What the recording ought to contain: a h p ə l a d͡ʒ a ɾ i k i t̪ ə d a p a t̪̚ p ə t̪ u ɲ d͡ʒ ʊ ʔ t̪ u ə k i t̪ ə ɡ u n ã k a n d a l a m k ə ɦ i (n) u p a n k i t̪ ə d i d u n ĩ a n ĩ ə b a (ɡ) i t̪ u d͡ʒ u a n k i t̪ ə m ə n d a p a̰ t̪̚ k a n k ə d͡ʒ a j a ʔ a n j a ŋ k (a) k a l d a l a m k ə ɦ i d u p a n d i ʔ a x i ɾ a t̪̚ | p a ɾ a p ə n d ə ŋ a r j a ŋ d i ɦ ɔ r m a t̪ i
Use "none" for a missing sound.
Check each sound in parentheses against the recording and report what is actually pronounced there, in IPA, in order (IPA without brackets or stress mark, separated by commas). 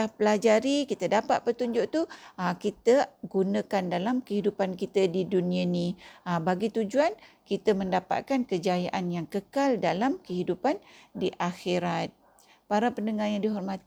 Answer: d, ɡ, ə